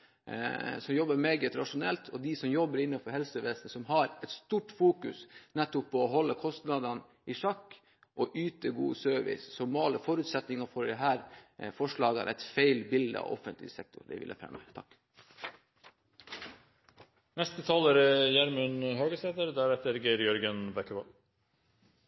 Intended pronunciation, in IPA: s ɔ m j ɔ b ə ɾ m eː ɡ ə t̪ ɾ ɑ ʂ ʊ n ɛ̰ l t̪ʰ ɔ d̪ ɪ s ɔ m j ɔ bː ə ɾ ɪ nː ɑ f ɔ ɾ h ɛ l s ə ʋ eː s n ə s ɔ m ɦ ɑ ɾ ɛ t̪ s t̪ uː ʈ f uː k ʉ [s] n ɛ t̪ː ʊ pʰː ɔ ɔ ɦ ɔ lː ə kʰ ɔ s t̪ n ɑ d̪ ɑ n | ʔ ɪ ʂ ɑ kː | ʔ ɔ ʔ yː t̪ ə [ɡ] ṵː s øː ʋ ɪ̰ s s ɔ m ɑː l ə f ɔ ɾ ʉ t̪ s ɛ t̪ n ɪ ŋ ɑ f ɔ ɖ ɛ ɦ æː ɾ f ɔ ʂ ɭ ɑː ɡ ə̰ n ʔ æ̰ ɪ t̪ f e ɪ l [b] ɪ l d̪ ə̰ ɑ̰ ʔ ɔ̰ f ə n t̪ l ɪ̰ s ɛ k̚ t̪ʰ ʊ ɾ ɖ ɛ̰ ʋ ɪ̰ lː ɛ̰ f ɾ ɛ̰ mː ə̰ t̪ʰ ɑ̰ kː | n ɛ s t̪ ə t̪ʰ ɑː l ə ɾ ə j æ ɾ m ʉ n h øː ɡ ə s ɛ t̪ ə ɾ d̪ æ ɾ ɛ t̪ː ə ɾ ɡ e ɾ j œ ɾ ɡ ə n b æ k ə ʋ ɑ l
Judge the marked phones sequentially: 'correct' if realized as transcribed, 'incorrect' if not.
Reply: correct, correct, correct

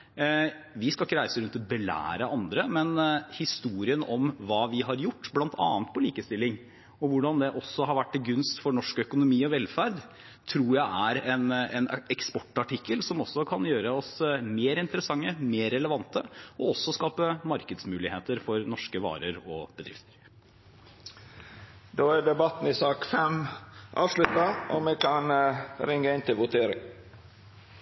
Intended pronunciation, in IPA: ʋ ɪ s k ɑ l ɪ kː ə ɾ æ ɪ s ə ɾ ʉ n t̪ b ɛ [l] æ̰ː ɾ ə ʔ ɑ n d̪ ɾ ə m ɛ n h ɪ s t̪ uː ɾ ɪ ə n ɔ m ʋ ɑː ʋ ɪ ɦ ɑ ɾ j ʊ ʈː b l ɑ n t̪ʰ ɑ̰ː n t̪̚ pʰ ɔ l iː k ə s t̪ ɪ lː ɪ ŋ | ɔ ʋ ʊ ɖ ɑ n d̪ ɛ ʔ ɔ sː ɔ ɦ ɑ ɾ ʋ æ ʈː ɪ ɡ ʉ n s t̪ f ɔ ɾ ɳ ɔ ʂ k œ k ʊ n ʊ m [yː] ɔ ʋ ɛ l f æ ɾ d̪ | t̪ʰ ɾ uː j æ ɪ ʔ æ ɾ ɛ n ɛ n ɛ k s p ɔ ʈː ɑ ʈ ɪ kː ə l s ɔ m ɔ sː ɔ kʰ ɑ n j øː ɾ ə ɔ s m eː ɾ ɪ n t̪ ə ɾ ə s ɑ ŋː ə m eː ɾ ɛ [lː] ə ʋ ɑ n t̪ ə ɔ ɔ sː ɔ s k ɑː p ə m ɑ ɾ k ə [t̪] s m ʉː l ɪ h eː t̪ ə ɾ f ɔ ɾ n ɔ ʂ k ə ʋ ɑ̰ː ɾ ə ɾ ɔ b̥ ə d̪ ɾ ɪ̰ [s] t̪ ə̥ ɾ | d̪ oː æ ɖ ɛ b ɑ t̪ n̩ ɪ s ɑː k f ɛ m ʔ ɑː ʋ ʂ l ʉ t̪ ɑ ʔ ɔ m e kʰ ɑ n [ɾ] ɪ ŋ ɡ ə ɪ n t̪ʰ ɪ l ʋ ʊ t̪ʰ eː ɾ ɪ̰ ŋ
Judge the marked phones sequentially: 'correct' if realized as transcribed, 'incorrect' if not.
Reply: correct, incorrect: iː, incorrect: l, incorrect: d̪, incorrect: f, correct

